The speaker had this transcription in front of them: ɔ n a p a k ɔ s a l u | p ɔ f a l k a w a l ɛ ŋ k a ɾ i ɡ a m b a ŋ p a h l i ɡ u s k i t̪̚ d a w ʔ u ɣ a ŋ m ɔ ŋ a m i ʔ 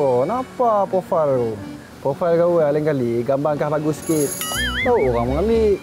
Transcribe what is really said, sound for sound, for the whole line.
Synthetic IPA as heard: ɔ n a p a p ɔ f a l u | p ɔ f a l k a w a l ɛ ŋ k a l i ɡ a m b a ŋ k a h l a ɡ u s k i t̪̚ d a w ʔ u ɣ a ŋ m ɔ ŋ a m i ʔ